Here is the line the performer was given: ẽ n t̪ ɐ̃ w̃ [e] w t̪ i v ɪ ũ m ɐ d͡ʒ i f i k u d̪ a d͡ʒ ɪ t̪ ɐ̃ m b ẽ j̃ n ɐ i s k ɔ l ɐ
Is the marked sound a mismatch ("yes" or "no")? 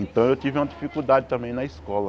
no